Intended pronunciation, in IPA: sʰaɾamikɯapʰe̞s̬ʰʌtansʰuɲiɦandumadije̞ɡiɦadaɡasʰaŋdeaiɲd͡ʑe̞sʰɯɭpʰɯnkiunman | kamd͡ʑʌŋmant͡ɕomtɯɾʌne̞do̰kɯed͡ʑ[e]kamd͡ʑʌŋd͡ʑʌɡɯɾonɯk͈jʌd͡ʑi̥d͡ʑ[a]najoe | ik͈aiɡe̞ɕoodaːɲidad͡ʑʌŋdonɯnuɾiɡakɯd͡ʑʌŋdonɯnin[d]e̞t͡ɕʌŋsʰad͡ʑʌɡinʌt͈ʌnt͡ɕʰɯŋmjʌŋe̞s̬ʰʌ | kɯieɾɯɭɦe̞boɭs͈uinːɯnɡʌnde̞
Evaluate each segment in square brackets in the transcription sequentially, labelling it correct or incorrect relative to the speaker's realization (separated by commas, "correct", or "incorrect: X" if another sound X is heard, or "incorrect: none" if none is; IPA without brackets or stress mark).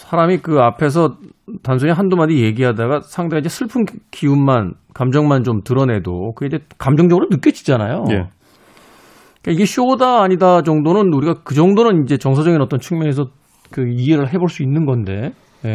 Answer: correct, correct, incorrect: d͡ʑ